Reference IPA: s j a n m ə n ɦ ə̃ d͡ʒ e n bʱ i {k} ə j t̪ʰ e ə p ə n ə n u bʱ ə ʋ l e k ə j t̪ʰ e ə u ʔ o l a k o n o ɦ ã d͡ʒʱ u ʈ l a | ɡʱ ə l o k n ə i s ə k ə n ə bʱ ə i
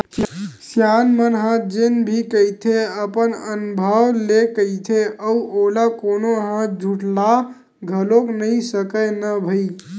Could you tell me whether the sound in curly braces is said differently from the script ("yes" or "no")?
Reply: no